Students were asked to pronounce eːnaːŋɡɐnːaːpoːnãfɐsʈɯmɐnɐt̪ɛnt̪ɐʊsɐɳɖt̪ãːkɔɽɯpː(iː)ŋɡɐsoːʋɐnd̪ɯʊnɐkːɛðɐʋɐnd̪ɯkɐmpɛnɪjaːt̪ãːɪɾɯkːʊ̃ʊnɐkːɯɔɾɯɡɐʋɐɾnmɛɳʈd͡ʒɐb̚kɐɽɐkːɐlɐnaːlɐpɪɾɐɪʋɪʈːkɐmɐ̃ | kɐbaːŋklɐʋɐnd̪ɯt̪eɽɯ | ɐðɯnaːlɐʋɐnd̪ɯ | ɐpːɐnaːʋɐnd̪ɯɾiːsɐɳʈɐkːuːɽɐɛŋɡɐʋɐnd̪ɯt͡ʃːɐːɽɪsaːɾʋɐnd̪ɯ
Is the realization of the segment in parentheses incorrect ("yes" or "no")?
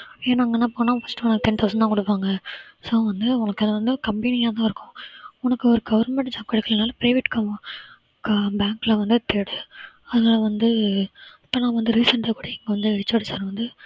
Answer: yes